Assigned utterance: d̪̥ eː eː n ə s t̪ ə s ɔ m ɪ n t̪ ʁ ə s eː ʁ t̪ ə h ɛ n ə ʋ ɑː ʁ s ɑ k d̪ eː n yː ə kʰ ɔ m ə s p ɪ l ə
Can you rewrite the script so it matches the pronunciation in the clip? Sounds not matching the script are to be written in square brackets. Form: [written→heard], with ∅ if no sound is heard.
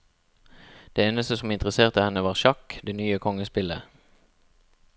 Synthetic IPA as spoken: d̪̥ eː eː n ə s t̪ ə s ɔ m ɪ n t̪ ʁ ə s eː ʁ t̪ ə h ɛ n ə ʋ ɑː ʁ [s→ʃ] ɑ k d̪ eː n yː ə kʰ ɔ [m→ŋ] ə s p ɪ l ə